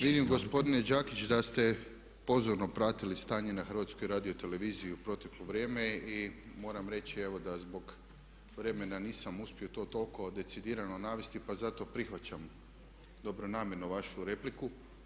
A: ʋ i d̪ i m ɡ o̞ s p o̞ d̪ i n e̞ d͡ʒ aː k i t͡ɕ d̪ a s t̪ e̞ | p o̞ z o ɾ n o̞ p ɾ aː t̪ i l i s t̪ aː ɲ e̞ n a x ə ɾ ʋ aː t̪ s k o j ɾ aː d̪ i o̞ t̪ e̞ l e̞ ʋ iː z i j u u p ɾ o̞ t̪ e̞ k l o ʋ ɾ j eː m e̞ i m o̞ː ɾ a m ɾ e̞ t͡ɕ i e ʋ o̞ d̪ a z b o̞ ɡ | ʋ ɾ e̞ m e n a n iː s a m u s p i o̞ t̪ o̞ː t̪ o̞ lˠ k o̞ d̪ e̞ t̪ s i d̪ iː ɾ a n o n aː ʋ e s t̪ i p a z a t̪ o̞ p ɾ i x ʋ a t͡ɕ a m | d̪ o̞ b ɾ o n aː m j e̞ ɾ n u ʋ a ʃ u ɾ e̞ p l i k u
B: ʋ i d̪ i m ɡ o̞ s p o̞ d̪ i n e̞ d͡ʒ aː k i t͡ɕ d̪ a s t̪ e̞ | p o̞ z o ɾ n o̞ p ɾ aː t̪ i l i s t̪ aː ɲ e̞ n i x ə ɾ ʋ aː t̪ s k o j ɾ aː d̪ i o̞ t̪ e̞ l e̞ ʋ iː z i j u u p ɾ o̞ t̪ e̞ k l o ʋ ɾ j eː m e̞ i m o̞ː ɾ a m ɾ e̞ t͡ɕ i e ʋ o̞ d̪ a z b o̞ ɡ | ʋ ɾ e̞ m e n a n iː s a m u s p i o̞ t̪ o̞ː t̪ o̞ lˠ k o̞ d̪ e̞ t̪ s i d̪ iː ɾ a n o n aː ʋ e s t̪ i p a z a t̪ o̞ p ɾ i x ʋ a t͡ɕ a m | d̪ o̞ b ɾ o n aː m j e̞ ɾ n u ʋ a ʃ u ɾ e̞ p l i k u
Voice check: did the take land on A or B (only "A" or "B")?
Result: A